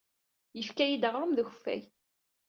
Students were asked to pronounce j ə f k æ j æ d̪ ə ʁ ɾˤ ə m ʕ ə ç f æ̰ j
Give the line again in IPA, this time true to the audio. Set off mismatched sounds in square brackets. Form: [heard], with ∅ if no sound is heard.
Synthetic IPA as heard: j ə f k æ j [i] d̪ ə ʁ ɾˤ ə m [ð] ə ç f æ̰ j